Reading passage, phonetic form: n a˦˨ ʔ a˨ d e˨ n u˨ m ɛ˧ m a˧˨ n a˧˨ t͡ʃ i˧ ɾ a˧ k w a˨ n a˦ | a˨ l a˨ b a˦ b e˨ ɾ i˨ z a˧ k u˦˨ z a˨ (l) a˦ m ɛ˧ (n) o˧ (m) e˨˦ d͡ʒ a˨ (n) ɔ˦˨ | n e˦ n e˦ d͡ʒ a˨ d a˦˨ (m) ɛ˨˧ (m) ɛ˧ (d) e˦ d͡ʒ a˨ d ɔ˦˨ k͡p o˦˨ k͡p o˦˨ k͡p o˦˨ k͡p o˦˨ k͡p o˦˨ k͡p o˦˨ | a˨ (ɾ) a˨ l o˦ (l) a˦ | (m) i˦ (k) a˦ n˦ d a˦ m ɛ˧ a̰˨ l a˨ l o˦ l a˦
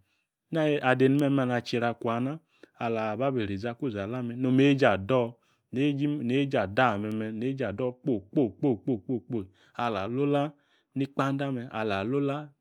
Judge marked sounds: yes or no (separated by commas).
yes, yes, yes, no, yes, yes, no, no, yes, no, no